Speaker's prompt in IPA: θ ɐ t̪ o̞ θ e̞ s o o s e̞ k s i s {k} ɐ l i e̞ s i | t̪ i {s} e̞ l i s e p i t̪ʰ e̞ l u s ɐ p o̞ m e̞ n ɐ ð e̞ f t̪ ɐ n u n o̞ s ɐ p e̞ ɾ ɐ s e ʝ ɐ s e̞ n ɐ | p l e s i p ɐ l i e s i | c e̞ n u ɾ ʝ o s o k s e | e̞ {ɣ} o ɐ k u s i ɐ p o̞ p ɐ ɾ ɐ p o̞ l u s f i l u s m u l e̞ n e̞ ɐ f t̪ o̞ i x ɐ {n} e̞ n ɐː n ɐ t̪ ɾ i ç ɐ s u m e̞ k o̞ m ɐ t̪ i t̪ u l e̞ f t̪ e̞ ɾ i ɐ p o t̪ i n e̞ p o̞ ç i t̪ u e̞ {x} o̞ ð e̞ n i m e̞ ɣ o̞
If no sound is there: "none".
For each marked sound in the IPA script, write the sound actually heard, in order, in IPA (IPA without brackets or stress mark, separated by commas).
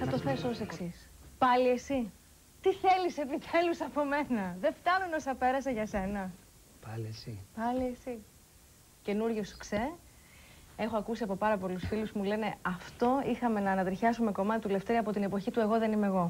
p, θ, x, m, ɣ